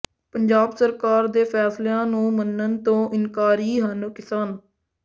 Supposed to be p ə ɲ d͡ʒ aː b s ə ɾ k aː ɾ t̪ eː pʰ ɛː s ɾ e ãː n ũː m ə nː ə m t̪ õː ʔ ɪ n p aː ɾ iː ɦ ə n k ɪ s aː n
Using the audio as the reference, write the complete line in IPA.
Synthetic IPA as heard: p ə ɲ d͡ʒ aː b s ə ɾ k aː ɾ d̪ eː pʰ ɛː s l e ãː n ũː m ə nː ə n t̪ õː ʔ ɪ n k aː ɾ iː ɦ ə n k ɪ s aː n